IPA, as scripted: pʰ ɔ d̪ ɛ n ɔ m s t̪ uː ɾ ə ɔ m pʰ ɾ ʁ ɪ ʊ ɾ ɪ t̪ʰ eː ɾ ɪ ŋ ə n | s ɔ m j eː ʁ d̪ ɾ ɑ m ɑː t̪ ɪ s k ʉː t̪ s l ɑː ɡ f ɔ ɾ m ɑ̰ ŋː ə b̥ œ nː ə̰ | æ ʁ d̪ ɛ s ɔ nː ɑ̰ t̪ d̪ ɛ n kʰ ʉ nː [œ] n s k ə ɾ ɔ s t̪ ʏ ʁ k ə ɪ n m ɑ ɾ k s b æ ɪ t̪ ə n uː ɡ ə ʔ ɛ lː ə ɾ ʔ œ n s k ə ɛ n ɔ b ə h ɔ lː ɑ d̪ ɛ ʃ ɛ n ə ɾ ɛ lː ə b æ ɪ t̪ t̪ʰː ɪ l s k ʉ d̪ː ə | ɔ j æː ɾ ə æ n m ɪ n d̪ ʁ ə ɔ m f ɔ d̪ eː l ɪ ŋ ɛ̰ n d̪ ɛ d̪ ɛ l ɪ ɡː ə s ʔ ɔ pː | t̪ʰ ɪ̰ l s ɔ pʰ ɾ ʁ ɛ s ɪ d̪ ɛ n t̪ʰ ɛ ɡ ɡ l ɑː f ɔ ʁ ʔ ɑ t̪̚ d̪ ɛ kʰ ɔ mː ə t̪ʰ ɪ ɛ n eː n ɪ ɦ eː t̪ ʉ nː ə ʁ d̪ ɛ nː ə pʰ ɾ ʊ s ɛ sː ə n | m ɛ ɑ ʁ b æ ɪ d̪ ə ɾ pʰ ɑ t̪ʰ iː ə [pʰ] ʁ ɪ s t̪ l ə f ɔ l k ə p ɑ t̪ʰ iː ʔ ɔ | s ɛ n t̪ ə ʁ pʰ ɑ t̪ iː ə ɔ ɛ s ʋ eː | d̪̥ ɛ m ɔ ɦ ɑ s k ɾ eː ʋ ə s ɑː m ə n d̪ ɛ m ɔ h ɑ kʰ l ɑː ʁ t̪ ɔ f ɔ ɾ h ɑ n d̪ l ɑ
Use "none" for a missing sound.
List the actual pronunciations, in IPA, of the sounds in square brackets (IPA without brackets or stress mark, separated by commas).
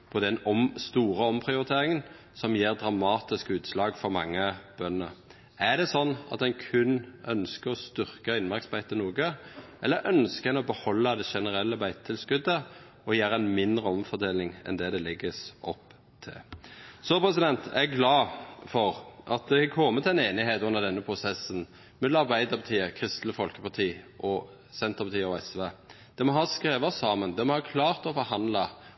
œ, kʰ